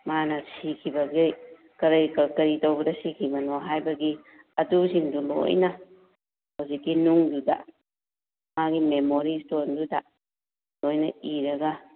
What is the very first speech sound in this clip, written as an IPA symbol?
m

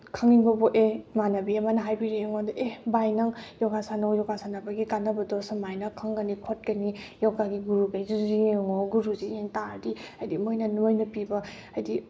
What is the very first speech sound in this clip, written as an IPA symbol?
kʰ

